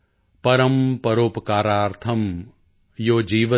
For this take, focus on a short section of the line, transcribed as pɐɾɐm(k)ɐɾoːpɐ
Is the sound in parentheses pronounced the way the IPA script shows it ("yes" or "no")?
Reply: no